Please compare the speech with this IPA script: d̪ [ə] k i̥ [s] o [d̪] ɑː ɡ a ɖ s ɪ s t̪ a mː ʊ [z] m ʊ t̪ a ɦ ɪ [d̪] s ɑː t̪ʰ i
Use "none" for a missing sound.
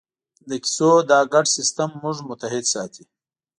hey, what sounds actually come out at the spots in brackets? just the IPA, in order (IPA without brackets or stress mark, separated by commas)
ə, s, d̪, ʐ, d̪